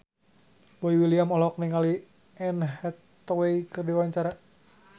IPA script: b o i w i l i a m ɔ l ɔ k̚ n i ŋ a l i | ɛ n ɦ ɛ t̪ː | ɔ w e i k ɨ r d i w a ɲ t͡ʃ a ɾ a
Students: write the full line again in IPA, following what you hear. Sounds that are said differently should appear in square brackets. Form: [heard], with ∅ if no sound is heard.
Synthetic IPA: b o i w i l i a m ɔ l ɔ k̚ n i ŋ a l i | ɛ n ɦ ɛ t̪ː | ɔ w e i k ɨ r d i w a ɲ t͡ʃ a ɾ a